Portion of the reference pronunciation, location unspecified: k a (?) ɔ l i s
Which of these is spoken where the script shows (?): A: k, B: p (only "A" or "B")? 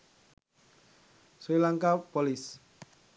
B